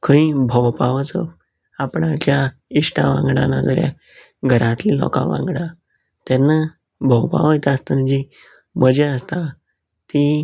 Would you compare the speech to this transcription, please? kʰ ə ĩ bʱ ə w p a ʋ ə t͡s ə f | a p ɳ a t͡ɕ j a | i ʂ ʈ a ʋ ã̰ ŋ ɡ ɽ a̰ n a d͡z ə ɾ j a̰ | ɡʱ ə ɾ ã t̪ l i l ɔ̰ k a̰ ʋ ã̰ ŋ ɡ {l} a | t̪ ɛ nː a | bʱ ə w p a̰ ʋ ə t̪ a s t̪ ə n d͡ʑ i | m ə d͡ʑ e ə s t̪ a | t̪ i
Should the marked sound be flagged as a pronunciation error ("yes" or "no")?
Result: yes